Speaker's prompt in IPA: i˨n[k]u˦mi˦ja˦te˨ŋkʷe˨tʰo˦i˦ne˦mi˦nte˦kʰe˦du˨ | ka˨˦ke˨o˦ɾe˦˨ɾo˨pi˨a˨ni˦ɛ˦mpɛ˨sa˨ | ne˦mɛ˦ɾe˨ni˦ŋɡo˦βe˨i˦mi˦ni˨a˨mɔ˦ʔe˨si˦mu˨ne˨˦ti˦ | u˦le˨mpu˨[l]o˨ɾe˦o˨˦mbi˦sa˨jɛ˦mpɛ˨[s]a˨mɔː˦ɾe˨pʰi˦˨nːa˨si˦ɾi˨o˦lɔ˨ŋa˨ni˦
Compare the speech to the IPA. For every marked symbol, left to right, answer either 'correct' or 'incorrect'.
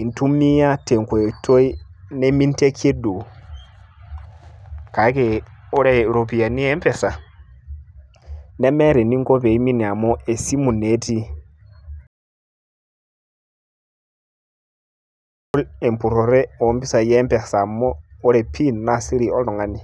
incorrect, incorrect, correct

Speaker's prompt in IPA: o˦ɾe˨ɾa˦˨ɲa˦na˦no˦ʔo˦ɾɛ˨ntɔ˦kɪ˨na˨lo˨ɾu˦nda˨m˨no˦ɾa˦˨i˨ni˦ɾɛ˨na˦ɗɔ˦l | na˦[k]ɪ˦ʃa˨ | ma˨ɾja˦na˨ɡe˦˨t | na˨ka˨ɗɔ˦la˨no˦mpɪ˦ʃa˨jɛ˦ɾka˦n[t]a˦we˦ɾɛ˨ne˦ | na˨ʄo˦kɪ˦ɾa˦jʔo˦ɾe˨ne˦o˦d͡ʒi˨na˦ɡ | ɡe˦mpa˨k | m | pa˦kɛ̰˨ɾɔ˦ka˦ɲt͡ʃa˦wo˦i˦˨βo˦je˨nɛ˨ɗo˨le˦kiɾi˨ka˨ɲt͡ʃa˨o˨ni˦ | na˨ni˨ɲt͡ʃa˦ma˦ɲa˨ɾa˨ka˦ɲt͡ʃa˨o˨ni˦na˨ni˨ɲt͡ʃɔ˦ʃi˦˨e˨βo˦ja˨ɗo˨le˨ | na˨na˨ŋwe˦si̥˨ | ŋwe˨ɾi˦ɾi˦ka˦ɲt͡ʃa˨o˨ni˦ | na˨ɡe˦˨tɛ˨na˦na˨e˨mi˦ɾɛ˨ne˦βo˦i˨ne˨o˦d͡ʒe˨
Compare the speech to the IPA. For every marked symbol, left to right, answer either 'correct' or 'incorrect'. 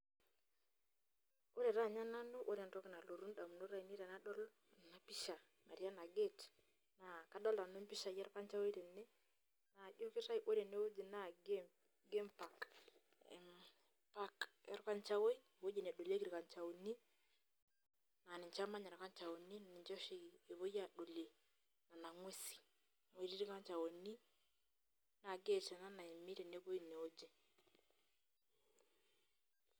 incorrect, incorrect

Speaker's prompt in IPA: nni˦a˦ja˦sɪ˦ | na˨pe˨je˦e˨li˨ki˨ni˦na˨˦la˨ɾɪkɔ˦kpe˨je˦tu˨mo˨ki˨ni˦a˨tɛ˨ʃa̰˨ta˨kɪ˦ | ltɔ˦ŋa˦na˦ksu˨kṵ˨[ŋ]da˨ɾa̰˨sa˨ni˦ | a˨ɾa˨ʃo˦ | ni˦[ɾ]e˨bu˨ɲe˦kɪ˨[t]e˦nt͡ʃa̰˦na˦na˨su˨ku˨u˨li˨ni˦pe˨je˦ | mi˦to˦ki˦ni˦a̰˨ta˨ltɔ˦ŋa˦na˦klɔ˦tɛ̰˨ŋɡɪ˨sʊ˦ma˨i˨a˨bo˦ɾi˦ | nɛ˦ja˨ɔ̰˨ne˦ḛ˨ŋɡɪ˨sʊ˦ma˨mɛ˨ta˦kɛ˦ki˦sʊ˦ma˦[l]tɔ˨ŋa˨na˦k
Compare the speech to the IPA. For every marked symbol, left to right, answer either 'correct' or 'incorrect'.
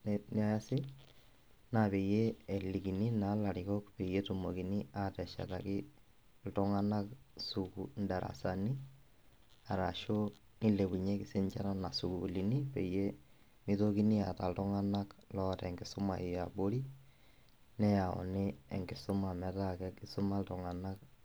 incorrect, incorrect, incorrect, correct

